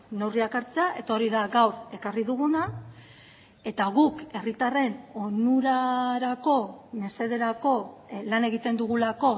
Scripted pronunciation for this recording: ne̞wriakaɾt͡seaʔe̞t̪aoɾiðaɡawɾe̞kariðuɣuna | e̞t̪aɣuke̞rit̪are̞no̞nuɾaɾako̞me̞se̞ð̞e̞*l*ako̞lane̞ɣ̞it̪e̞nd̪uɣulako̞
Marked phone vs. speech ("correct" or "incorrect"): incorrect